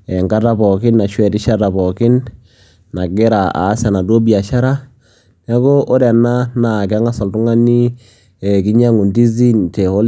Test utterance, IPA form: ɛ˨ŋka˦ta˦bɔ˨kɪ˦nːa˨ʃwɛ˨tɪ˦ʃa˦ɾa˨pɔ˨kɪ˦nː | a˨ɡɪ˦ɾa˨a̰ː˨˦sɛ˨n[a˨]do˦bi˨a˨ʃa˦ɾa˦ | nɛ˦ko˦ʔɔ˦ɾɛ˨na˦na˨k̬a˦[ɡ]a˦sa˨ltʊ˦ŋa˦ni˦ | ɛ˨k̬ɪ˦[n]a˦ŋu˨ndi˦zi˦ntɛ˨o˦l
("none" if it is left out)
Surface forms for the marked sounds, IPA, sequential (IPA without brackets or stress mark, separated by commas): a˨, ŋ, ɲ